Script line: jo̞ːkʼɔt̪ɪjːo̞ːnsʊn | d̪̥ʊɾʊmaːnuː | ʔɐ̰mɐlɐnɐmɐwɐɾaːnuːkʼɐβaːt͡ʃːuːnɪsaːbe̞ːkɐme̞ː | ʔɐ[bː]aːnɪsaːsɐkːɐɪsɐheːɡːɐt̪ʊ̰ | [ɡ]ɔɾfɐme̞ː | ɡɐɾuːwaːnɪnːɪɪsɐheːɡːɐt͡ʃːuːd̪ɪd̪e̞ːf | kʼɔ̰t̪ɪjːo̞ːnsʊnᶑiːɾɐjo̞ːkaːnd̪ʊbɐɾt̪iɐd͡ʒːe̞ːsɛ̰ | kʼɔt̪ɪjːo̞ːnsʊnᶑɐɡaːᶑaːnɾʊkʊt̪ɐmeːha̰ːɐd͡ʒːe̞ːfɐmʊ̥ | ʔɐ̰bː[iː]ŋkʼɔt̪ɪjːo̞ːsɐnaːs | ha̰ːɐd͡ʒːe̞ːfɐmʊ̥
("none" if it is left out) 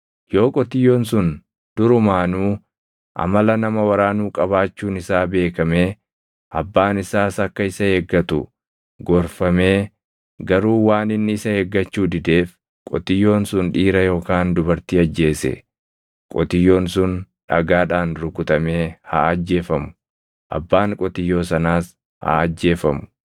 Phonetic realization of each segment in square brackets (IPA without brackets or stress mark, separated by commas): bː, ɡ, aː